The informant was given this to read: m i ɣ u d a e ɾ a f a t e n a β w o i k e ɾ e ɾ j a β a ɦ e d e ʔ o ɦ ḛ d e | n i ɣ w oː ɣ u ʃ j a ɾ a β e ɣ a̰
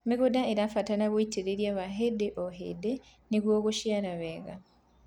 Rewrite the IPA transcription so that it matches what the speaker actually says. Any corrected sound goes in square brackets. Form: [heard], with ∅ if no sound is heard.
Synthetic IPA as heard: m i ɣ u d a e ɾ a f a t [a] n a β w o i [t] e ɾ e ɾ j a β a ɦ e d e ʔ o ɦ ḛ d e | n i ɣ w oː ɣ u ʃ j a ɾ a β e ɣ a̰